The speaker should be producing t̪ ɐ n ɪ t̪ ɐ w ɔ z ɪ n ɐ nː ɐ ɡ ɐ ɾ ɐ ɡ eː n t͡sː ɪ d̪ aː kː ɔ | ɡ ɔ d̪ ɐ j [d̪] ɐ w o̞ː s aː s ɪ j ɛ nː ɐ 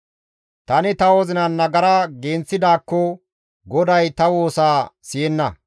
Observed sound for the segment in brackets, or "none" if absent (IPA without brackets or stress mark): t̪